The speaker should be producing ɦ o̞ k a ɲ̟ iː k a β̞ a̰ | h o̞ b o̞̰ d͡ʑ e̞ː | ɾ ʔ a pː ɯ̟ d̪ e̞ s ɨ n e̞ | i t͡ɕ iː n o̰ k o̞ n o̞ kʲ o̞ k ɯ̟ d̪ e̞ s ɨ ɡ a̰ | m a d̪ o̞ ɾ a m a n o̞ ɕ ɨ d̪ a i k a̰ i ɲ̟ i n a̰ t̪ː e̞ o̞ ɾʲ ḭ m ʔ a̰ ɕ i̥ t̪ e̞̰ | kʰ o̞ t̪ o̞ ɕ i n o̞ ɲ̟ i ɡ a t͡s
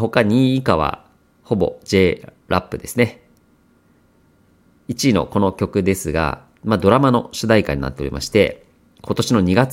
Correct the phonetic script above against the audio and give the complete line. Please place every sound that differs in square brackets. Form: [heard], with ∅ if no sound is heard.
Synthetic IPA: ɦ o̞ k a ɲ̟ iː k a β̞ a̰ | h o̞ b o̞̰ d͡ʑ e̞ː | ɾ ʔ a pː ɯ̟ d̪ e̞ s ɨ n e̞ | i t͡ɕ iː n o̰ k o̞ n o̞ kʲ o̞ k ɯ̟ d̪ e̞ s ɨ ɡ a̰ | m a d̪ o̞ ɾ a m a n o̞ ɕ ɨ d̪ a i k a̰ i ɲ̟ i n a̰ t̪ː e̞ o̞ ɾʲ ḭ m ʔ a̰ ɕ i̥ t̪ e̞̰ | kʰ o̞ t̪ o̞ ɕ i n o̞ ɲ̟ i ɡ a t͡s